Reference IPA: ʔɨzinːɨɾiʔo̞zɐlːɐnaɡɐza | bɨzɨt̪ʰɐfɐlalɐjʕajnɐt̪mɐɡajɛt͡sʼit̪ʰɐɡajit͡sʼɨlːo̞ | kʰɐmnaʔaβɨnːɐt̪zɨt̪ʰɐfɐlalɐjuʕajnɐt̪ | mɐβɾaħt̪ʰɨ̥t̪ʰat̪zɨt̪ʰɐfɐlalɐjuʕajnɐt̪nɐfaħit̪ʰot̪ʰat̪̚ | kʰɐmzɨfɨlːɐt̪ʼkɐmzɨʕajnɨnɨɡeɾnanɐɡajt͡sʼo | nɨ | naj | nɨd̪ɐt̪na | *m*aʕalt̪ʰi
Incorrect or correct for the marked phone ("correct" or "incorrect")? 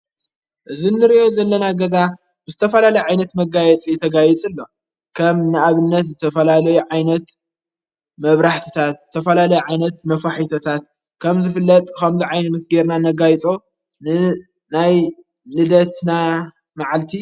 correct